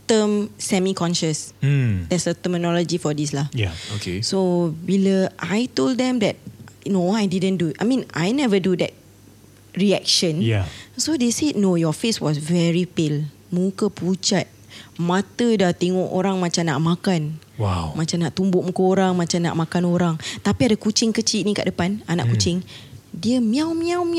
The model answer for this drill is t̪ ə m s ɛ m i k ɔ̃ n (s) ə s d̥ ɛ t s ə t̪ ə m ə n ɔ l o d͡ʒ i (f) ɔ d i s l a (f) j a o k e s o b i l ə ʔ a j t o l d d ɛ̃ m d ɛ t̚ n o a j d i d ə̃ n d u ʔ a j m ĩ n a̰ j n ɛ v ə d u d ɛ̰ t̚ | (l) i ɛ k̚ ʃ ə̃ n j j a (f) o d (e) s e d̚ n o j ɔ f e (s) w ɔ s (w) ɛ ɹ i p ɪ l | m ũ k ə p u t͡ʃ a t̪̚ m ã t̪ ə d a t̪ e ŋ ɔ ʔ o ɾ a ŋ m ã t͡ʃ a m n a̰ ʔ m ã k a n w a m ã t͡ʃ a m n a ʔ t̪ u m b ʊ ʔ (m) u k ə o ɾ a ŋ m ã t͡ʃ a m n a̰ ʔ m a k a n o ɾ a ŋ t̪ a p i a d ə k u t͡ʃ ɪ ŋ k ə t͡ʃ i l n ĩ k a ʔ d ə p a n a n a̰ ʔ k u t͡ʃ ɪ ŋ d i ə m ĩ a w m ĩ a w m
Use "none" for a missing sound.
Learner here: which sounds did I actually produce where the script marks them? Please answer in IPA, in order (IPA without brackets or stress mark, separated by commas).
ʃ, f, h, ɹ, s, e, s, v, m